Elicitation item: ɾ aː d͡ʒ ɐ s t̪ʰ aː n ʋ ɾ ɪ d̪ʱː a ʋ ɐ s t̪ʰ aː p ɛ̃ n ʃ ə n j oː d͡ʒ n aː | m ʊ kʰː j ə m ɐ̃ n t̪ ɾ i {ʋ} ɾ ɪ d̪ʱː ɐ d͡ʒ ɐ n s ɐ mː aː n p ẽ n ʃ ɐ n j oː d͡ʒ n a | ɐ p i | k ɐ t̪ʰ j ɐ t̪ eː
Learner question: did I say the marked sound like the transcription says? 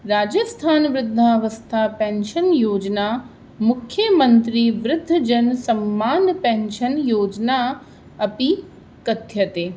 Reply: yes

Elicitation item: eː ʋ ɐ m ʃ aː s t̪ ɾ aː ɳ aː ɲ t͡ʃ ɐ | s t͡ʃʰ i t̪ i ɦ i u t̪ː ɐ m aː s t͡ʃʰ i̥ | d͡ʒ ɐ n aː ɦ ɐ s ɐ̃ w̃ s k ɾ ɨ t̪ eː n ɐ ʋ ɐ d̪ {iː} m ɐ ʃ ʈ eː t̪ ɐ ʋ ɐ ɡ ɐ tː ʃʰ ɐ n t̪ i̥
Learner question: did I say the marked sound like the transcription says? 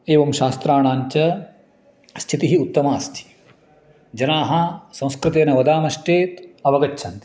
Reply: no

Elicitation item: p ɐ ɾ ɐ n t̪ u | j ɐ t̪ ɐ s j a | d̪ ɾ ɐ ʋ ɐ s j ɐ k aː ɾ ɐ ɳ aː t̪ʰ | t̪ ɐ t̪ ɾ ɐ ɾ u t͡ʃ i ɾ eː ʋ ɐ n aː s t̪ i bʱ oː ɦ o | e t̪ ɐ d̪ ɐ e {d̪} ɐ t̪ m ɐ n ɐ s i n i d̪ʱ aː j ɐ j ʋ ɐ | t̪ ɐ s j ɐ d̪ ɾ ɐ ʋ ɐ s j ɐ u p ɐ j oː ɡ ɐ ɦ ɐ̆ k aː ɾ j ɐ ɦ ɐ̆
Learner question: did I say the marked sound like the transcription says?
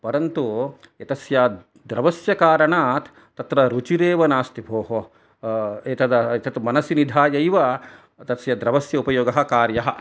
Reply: no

